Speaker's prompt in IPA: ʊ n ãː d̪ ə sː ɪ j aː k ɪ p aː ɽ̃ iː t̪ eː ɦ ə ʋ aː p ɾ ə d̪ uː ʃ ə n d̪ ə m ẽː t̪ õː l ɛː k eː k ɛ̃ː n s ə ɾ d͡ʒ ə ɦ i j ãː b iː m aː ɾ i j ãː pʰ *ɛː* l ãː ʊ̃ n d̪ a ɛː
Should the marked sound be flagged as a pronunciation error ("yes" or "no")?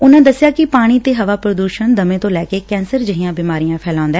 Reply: no